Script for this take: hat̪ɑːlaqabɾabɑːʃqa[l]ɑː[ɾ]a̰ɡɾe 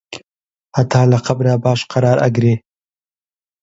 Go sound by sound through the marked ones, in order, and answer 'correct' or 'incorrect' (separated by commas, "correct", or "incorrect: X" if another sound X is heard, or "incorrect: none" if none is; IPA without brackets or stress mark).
incorrect: ɾ, correct